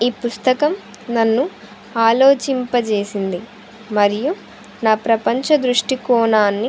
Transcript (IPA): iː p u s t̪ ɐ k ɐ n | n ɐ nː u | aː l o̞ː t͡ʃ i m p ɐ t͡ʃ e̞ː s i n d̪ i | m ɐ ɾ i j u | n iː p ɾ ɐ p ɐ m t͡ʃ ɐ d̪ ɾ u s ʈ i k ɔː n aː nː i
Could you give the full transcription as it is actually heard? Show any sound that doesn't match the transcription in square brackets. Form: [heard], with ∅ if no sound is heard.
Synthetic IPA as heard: iː p u s t̪ ɐ k ɐ [m] | n ɐ nː u | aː l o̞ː t͡ʃ i m p ɐ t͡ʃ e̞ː s i n d̪ i | m ɐ ɾ i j u | n [aː] p ɾ ɐ p ɐ [ɲ] t͡ʃ ɐ d̪ ɾ u [ʂ] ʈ i k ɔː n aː nː i